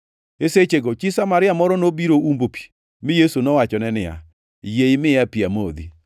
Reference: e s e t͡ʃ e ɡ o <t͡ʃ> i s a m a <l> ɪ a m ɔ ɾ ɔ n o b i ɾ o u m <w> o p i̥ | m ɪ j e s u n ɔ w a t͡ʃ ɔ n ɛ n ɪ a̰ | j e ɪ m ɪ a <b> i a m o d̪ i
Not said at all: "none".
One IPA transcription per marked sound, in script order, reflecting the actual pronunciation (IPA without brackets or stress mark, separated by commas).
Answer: t͡ʃ, ɾ, b, p